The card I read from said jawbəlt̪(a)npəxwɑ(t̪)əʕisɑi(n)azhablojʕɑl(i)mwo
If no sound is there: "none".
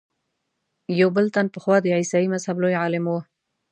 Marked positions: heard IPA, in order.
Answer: a, d̪, m, ɪ

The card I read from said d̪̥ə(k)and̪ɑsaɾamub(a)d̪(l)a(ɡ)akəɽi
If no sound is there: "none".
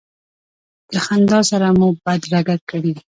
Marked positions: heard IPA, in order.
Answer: x, a, ɾ, ɡ

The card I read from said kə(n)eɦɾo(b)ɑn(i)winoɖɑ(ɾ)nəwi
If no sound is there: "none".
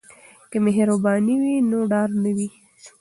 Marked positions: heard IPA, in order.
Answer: m, b, i, ɾ

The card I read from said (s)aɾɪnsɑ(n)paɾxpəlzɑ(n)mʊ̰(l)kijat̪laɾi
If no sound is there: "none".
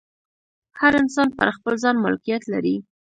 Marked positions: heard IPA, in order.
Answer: h, n, n, l

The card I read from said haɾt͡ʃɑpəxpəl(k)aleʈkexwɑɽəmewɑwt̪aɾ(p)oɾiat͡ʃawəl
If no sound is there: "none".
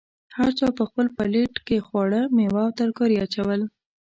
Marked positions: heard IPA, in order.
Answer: p, k

